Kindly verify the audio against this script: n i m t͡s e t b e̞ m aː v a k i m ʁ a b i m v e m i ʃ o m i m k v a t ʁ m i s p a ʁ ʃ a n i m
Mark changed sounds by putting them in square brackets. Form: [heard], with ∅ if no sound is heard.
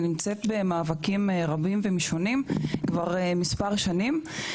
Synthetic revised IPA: n i m t͡s e t b e̞ m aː v a k i m ʁ a b i m v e m i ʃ o [n] i m k v a [∅] ʁ m i s p a ʁ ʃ a n i m